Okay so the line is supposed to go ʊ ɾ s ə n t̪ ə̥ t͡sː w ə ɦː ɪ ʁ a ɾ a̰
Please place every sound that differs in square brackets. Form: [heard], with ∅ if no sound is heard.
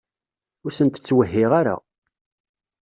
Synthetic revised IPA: ʊ ɾ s ə n t̪ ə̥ t͡sː w ə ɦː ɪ ʁ a ɾ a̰